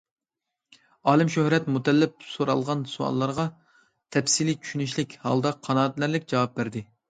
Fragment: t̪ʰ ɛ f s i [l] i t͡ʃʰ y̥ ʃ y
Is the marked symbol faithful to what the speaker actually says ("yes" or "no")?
yes